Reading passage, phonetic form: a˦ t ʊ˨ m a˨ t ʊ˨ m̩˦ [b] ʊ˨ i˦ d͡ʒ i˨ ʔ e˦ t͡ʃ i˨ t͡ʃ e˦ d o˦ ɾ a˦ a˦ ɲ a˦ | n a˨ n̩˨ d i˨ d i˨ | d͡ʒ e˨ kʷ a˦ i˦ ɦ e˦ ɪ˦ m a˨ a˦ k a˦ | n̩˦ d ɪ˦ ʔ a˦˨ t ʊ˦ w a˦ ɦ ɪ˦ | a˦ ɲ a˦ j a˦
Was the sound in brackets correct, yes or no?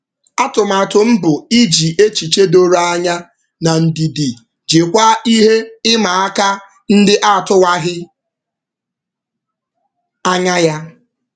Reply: yes